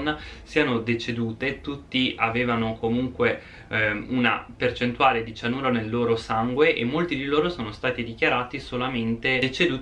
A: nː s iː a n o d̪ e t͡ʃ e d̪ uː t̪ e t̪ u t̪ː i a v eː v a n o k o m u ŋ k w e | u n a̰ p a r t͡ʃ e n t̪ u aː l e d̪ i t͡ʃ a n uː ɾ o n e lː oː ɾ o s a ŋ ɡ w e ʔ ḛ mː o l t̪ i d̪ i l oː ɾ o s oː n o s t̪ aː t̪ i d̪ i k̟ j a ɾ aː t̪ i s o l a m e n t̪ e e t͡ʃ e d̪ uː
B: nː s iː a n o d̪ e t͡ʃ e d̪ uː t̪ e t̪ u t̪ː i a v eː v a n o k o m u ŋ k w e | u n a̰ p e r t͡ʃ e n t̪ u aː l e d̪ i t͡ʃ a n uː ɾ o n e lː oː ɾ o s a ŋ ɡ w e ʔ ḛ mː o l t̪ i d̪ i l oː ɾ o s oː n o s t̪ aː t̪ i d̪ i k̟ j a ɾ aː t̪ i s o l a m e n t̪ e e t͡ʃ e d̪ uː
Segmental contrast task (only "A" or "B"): B